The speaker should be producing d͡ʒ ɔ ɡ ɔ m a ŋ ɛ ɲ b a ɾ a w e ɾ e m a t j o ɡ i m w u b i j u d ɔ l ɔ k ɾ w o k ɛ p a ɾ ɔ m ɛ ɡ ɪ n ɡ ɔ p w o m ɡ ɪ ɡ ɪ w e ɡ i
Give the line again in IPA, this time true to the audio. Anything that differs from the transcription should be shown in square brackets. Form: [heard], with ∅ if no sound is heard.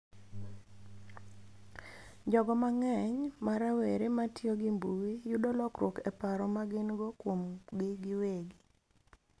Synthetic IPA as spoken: d͡ʒ ɔ ɡ ɔ m a ŋ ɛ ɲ [m] a ɾ a w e ɾ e m a t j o ɡ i m [b] u [w] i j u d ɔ l ɔ k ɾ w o k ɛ p a ɾ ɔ m [a] ɡ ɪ n ɡ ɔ [k] w o m ɡ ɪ ɡ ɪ w e ɡ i